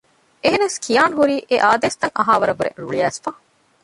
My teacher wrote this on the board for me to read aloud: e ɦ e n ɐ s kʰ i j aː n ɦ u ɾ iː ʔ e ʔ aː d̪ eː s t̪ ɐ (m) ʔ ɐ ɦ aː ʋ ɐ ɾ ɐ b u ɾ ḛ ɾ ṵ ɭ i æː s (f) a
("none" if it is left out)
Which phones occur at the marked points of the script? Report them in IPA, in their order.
ŋ, f

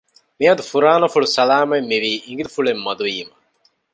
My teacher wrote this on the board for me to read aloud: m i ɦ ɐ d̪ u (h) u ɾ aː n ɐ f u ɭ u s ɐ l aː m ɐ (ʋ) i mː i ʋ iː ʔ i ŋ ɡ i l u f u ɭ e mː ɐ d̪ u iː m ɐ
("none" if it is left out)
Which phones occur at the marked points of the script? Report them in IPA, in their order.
f, none

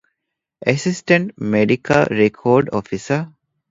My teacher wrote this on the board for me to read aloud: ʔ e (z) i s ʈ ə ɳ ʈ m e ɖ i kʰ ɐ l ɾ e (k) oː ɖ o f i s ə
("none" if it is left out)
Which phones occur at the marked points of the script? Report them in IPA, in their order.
s, kʰ

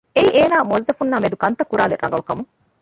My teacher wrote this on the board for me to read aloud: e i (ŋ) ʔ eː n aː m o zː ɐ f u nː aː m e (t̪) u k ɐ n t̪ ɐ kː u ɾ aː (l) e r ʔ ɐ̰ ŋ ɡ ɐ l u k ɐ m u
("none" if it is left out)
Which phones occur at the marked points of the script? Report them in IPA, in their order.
none, d̪, l

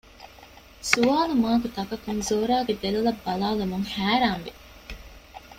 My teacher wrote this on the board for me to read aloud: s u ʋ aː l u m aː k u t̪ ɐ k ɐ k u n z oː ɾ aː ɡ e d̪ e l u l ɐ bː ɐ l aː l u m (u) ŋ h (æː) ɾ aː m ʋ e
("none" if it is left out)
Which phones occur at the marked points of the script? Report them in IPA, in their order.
u, æː

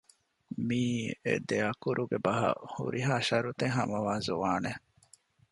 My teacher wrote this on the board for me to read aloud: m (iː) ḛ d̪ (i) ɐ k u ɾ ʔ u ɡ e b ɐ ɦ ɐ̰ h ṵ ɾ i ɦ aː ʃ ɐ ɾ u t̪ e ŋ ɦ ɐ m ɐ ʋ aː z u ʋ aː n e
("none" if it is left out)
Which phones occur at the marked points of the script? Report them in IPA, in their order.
iː, e

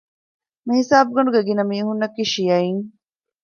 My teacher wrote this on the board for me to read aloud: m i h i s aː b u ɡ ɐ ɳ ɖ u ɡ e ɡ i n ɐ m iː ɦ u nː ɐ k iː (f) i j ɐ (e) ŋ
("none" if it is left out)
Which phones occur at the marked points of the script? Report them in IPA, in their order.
ʃ, i

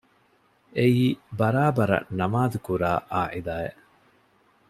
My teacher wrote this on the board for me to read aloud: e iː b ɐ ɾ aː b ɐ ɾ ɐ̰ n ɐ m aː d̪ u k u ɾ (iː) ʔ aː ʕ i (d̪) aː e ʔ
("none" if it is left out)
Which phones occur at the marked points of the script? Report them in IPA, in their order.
aː, d̪

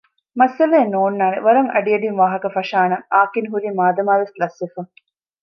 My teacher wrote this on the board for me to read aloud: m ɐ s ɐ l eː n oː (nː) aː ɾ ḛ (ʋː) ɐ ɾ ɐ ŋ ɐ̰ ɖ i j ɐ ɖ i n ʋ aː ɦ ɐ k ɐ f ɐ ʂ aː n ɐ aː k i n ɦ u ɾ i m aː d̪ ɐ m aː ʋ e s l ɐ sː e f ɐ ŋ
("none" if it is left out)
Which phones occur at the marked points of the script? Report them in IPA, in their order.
nː, ʋ

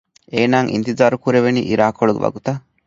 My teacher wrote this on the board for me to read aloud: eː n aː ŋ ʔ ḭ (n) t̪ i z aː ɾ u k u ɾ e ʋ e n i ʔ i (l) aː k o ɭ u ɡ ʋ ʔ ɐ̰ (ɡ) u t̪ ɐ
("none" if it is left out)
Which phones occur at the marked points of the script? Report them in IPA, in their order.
n, ɾ, ɡ

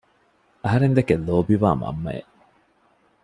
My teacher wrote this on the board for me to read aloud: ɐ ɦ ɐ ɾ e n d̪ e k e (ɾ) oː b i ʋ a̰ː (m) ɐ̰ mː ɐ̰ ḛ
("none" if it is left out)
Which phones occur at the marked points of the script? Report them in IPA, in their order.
l, m

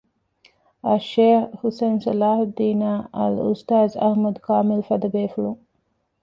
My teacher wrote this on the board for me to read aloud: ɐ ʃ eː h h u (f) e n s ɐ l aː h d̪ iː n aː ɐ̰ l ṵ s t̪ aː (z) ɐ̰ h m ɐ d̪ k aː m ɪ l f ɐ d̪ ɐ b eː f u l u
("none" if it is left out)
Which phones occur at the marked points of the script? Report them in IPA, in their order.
s, z

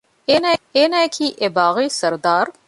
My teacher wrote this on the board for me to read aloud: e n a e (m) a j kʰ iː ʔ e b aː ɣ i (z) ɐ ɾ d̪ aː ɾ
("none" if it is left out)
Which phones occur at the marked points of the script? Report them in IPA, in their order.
n, s

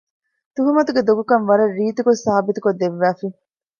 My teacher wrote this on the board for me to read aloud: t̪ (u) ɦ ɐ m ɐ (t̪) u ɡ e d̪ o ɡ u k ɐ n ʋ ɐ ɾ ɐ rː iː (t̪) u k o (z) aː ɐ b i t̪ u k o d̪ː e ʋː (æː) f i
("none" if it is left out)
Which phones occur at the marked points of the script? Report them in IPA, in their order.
u, t̪, t̪, s, æː

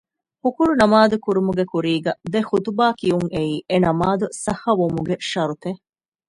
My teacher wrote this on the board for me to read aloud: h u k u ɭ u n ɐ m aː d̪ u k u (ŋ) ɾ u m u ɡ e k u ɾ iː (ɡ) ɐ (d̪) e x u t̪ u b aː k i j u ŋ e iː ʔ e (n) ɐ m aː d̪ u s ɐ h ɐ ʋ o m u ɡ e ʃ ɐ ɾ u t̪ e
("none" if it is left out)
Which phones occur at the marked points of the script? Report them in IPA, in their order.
none, ɡ, d̪, n

